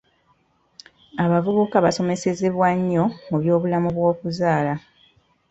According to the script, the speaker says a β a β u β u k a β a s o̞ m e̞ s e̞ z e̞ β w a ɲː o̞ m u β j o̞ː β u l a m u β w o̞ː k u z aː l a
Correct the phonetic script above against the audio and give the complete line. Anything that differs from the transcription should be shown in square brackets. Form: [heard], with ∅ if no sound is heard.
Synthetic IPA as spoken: a β a [v] u β u k a β a s o̞ m e̞ s e̞ z e̞ β w a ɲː o̞ m u β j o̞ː β u l a m u β w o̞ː k u z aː l a